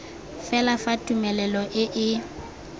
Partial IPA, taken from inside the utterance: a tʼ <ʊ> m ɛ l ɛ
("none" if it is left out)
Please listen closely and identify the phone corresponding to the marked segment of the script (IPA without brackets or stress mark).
u